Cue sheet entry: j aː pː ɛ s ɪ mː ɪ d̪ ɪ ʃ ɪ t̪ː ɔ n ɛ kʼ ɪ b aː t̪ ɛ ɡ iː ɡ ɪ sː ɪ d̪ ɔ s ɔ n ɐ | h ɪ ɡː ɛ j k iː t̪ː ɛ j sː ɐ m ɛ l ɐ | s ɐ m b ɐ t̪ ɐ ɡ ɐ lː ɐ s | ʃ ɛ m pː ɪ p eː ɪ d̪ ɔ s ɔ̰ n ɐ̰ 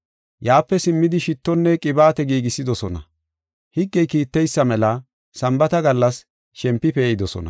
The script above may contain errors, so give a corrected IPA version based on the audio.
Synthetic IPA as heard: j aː pː ɛ s ɪ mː ɪ d̪ ɪ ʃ ɪ t̪ː ɔ nː ɛ kʼ ɪ b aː t̪ ɛ ɡ iː ɡ ɪ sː ɪ d̪ ɔ s ɔ n ɐ | h ɪ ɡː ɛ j k iː t̪ː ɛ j sː ɐ m ɛ l ɐ | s ɐ m b ɐ t̪ ɐ ɡ ɐ lː ɐ s | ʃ ɛ m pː ɪ p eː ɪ d̪ ɔ s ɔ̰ n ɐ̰